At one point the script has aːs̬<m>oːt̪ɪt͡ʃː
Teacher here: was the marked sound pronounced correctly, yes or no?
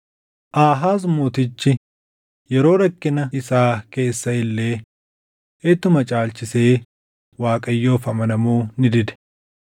yes